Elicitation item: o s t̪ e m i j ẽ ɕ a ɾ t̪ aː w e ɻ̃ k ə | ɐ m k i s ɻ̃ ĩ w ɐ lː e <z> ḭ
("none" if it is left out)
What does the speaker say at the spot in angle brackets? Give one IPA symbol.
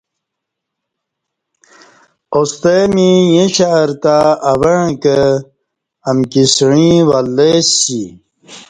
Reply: s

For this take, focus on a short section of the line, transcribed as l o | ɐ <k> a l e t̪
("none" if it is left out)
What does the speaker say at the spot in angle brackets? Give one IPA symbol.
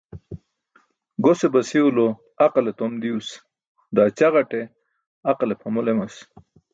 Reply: q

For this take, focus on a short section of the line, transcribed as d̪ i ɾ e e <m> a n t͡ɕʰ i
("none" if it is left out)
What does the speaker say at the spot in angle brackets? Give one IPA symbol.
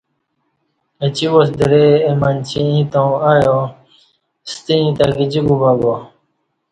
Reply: m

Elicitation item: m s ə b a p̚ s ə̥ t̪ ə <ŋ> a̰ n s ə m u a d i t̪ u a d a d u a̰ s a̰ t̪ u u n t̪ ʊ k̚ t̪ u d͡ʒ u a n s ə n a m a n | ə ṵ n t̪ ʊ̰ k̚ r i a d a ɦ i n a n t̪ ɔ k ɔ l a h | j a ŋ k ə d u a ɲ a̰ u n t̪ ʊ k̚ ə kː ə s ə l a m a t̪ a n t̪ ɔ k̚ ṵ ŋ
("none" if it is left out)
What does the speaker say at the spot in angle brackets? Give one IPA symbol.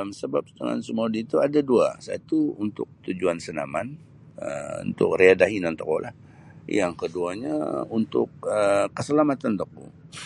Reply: ŋ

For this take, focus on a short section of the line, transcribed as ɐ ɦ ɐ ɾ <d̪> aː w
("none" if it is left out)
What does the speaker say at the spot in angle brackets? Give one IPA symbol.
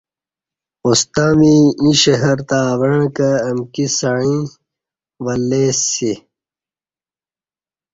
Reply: t̪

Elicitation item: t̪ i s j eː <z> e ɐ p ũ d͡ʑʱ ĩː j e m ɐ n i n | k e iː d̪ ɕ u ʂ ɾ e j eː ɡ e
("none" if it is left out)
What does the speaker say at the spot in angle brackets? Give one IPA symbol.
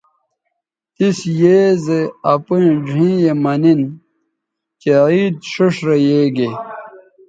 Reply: z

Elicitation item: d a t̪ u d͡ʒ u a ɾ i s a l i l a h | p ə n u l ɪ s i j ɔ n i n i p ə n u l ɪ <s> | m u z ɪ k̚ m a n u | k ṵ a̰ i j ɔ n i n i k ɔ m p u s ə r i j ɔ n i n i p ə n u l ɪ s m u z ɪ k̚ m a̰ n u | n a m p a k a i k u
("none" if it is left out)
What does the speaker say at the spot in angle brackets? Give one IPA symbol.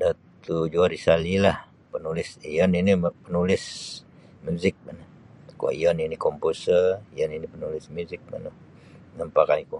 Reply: s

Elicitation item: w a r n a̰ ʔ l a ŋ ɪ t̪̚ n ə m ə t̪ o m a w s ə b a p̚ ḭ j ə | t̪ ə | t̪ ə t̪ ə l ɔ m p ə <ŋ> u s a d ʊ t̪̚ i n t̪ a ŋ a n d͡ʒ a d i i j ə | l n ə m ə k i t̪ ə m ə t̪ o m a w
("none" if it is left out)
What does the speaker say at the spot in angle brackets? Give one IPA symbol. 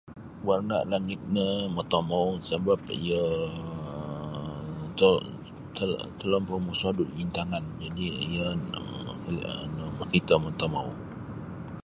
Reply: m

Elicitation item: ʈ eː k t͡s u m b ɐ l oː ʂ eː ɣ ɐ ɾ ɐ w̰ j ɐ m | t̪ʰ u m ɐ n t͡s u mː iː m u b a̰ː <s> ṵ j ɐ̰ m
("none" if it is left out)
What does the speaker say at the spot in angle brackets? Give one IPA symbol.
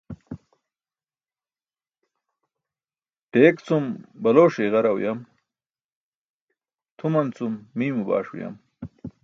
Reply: ʂ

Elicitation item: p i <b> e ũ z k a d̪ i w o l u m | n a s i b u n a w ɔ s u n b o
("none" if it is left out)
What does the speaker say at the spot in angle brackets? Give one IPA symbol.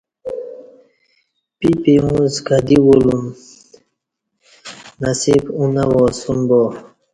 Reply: p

